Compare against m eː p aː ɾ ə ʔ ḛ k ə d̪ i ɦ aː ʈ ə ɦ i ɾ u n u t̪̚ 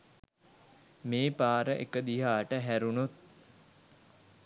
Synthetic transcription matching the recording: m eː p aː ɾ ə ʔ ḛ k ə d̪ i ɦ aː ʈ ə ɦ æ ɾ u n u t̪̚